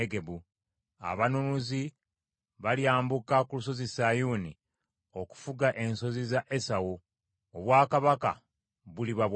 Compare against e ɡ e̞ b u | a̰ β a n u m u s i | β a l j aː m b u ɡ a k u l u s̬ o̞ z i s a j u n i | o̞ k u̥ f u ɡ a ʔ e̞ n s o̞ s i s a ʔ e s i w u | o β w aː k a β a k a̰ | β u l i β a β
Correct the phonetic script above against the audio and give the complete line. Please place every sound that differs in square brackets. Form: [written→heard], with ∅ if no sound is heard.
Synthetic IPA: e ɡ e̞ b u | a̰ β a n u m u [s→z] i | β a l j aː m b u [ɡ→k] a k u l u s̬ o̞ z i s a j u n i | o̞ k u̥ f u ɡ a ʔ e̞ n s o̞ [s→z] i [s→z] a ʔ e s [i→a] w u | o β w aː k a β a k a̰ | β u l i β a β